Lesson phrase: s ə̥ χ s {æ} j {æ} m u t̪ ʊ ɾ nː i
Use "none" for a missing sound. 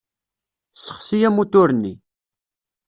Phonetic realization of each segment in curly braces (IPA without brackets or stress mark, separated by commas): i, æ